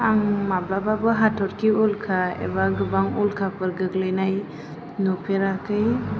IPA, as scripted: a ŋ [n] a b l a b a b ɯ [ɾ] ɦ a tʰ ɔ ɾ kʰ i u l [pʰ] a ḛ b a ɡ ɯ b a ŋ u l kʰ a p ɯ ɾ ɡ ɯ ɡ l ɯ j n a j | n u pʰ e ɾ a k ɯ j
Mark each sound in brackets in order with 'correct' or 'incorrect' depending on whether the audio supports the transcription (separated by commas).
incorrect, incorrect, incorrect